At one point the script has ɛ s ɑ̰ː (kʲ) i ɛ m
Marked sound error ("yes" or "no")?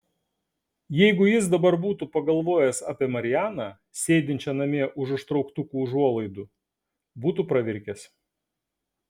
yes